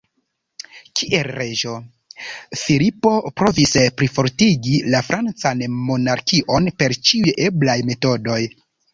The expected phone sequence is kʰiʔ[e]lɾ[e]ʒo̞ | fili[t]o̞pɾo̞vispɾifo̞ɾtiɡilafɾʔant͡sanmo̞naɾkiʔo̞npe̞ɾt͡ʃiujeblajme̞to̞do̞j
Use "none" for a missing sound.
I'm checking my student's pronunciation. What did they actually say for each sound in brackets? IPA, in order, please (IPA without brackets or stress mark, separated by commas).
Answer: e, e, p